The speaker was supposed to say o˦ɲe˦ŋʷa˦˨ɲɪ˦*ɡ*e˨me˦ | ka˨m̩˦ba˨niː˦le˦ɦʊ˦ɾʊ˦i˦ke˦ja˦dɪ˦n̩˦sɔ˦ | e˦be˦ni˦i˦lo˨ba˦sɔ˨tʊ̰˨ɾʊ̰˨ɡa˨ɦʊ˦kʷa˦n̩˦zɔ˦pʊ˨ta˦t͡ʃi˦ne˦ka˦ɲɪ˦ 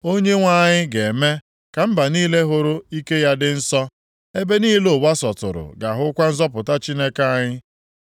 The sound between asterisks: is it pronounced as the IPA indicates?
yes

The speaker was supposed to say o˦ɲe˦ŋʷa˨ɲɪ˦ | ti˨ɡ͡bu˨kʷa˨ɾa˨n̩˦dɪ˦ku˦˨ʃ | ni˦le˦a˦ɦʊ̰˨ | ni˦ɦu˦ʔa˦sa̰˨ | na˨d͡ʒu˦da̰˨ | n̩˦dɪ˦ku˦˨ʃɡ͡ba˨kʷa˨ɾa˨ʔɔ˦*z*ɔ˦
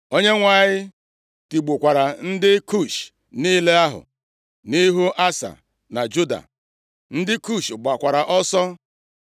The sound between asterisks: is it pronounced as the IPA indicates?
no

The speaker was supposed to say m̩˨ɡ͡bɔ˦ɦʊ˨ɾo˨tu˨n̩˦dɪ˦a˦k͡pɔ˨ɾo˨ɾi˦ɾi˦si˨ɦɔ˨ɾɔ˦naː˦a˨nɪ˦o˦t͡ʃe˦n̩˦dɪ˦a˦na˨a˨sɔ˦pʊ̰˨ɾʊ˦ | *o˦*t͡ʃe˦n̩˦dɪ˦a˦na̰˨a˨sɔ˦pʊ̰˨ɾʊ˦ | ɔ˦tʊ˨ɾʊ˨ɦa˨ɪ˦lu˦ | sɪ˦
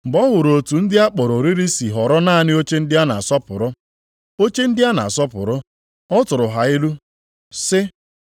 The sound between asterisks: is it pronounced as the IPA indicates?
yes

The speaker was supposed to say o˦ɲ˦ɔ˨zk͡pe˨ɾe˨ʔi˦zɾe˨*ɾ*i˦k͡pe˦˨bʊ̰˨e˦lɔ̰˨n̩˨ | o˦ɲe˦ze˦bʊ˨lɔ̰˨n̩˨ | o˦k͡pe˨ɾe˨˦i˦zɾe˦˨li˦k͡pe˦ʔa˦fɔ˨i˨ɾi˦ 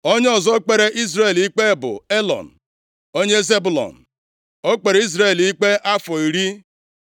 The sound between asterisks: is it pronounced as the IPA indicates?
no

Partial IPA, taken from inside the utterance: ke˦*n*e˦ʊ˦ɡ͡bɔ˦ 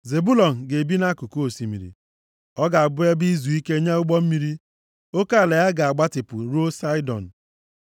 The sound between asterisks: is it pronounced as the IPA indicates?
no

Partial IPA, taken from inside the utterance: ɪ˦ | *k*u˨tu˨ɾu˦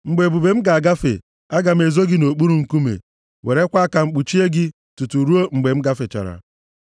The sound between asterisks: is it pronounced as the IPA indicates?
no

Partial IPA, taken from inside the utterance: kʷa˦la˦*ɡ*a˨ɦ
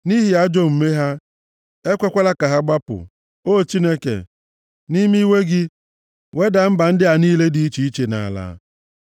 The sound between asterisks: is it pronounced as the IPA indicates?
no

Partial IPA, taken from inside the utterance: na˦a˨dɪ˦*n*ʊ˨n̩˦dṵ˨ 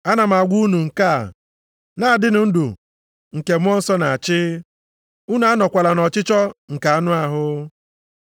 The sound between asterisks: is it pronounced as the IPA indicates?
yes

